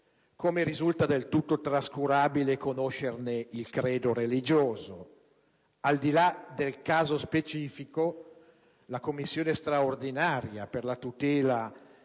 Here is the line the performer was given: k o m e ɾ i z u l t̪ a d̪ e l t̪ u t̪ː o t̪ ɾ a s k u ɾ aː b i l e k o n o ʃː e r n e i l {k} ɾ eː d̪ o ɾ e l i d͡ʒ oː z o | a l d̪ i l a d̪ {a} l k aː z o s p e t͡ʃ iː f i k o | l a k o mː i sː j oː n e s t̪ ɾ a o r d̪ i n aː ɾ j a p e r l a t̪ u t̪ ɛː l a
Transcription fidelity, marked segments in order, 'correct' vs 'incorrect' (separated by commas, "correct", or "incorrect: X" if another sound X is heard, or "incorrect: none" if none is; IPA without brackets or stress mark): correct, incorrect: e